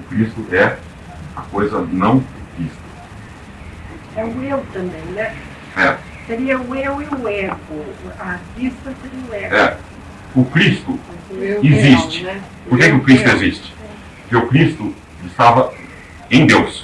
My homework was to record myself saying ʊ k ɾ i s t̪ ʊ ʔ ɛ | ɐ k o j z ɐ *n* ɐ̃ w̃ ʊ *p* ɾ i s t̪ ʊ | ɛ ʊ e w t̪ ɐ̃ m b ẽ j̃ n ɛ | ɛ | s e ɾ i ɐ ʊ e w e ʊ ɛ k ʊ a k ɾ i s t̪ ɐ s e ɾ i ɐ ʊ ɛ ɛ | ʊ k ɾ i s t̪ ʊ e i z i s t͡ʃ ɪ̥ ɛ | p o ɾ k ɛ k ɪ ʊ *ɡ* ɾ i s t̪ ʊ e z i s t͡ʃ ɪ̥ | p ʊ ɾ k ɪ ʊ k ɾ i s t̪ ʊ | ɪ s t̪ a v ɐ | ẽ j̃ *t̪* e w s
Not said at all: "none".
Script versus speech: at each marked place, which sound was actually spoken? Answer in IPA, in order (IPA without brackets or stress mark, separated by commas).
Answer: n, k, k, d̪